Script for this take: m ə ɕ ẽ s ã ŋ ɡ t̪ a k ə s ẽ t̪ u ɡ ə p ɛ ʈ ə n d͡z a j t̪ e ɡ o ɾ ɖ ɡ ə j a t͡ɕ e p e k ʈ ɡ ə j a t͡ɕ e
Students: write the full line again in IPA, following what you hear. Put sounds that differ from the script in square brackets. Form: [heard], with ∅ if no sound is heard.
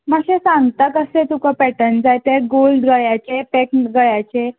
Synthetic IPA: m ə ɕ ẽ s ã ŋ ɡ t̪ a k ə s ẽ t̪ u [k] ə p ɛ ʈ ə n d͡z a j t̪ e ɡ o [l] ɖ ɡ ə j a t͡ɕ e p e k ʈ ɡ ə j a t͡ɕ e